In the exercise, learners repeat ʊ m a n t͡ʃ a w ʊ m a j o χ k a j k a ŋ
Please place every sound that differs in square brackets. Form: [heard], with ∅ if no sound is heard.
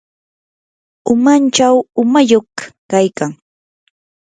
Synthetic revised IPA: ʊ m a n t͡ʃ a w ʊ m a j o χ k a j k a ŋ